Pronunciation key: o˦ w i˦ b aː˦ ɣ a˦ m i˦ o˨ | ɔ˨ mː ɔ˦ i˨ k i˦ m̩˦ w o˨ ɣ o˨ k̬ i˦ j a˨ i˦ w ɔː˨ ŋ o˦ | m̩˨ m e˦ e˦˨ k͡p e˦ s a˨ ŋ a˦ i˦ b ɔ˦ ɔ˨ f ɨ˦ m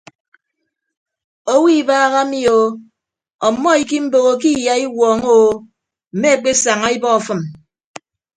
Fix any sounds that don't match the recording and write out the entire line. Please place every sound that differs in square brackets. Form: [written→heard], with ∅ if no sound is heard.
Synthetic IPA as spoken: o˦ w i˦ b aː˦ ɣ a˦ m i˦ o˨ | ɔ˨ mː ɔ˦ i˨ k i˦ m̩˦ [w→b] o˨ ɣ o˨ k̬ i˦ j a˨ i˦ w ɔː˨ ŋ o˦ | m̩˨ m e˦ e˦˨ k͡p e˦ s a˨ ŋ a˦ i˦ b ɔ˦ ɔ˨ f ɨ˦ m